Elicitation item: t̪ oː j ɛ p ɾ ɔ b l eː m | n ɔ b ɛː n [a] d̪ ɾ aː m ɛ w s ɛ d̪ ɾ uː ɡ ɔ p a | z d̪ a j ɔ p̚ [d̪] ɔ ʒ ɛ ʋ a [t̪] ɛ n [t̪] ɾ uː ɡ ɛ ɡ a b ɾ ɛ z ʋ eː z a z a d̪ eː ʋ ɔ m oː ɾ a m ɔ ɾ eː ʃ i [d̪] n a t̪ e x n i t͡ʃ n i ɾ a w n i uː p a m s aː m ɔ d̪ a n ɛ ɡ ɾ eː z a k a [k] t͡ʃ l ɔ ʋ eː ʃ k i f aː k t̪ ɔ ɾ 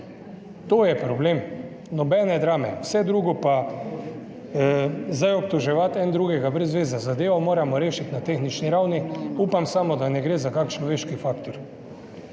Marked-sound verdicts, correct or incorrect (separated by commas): incorrect, incorrect, correct, incorrect, incorrect, correct